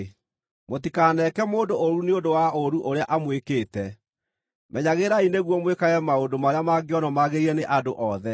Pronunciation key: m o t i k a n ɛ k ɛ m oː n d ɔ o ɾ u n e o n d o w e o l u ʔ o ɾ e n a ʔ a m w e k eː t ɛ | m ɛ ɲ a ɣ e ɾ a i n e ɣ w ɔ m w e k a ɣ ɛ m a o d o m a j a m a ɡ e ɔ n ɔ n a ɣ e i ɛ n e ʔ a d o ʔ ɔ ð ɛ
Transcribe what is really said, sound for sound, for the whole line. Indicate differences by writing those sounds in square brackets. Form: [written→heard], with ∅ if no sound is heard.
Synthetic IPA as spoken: m o t i k a n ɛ k ɛ m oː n d [ɔ→o] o ɾ u n e o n d o w [e→a] o [l→ɾ] u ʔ o ɾ e [n→∅] a ʔ a m w e k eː t ɛ | m ɛ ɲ a ɣ e ɾ a i n e ɣ w ɔ m w e k a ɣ ɛ m a o d o m a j a m a ɡ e ɔ n ɔ [n→m] a ɣ e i ɛ n e ʔ a d o ʔ ɔ ð ɛ